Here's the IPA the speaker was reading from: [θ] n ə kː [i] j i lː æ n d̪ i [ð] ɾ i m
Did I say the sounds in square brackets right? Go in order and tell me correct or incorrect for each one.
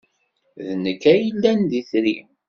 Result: incorrect: ð, incorrect: æ, incorrect: θ

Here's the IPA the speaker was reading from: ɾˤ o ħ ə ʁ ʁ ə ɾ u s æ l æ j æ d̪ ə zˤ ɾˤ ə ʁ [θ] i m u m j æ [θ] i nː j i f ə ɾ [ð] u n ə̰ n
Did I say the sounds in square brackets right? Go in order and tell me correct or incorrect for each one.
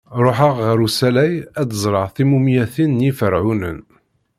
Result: correct, correct, incorrect: ʕ

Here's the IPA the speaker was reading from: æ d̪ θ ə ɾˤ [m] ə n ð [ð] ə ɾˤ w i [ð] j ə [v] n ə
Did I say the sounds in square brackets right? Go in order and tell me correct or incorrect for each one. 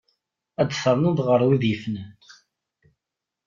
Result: incorrect: n, incorrect: ʁ, correct, incorrect: f

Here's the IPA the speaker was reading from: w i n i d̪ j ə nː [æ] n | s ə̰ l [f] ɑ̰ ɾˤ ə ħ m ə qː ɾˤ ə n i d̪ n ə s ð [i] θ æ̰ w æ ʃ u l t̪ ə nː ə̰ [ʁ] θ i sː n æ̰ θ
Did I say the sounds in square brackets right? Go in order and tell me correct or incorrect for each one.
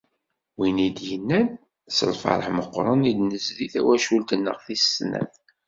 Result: correct, correct, correct, correct

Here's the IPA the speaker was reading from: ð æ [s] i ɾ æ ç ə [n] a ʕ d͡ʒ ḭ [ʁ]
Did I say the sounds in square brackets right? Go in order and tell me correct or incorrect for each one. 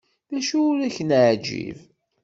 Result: incorrect: ʃ, correct, incorrect: v

